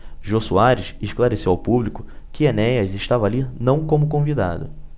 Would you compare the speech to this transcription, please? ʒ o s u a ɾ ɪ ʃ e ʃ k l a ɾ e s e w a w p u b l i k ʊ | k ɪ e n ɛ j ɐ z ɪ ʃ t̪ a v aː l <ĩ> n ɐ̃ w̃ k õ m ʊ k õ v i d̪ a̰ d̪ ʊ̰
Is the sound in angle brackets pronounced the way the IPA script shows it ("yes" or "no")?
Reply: no